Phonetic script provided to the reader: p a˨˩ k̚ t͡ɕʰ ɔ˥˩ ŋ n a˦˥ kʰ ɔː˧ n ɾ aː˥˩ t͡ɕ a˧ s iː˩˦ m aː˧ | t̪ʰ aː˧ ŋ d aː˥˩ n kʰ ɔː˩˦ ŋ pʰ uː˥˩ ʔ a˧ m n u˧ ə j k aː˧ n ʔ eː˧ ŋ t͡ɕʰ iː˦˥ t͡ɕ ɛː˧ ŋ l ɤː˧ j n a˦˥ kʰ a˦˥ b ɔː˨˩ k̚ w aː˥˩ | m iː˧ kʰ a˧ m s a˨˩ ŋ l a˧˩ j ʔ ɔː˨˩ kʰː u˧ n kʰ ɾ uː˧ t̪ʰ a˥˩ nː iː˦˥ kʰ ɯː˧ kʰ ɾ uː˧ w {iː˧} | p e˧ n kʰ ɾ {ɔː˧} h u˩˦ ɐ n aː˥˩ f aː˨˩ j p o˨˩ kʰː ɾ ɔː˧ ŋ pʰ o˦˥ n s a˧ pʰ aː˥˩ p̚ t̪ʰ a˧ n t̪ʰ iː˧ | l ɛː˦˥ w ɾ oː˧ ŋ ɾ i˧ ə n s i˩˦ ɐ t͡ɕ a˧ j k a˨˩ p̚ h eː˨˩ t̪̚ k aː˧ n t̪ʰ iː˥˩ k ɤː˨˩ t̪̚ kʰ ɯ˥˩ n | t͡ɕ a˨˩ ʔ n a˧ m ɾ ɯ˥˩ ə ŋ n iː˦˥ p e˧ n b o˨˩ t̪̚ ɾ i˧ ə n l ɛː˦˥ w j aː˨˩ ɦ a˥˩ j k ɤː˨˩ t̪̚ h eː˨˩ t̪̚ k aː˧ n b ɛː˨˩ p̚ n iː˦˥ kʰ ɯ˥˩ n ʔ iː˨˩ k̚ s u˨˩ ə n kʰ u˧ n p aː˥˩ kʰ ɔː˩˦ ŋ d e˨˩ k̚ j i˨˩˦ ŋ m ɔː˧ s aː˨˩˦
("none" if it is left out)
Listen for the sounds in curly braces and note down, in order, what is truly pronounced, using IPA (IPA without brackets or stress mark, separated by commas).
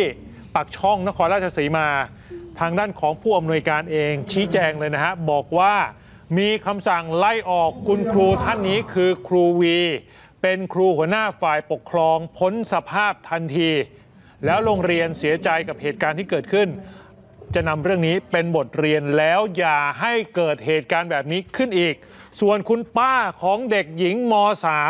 iː˧, uː˧